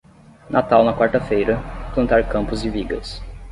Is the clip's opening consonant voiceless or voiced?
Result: voiced